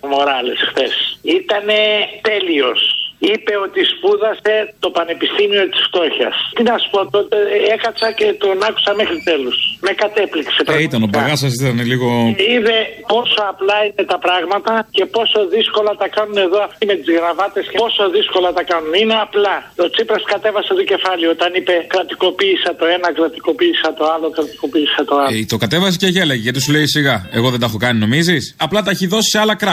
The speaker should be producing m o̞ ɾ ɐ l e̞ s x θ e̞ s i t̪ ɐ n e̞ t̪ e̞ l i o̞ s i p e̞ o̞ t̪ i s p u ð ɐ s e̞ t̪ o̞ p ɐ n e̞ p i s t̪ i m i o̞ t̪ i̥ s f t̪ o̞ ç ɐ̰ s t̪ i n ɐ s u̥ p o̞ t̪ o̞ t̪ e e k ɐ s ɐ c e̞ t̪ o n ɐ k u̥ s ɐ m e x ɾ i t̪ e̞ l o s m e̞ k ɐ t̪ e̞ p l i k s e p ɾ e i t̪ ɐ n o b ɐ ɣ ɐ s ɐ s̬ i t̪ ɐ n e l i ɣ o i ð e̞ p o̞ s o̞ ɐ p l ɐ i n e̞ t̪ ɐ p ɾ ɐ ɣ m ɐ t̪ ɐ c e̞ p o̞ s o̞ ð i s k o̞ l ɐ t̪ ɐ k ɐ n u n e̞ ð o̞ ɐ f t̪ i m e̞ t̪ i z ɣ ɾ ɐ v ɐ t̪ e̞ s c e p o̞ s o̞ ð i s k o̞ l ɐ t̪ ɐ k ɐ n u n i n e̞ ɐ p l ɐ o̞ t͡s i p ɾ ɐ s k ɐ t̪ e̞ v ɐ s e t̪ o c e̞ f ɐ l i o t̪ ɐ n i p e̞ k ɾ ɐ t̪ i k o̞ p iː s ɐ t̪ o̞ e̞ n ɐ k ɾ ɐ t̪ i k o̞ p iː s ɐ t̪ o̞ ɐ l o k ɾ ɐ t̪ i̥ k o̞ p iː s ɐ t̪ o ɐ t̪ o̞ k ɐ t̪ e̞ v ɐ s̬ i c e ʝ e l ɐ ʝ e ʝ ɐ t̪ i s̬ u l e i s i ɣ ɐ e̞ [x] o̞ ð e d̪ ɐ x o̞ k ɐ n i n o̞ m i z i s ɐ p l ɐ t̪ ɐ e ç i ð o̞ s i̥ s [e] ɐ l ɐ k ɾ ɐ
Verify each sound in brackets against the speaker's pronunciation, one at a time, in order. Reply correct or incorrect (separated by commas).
incorrect, correct